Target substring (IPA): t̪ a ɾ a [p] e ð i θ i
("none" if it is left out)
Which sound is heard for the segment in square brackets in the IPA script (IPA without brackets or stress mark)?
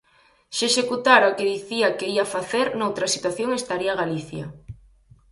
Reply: k